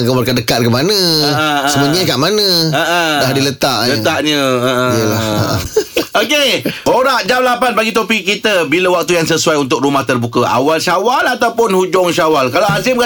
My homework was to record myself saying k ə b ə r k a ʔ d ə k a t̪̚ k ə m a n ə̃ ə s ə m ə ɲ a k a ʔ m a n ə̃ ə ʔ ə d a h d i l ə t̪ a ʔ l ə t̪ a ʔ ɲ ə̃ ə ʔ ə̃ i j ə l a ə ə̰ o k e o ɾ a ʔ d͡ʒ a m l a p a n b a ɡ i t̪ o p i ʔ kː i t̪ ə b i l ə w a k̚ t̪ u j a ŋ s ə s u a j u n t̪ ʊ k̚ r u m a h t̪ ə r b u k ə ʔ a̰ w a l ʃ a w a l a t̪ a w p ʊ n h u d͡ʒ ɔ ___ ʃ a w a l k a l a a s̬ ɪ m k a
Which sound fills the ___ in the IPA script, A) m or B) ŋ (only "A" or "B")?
B